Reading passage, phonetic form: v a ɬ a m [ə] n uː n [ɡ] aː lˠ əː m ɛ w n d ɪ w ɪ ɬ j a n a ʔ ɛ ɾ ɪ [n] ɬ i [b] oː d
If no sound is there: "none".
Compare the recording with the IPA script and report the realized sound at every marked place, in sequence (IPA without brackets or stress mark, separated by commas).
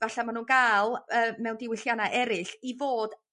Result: a, ɡ, none, v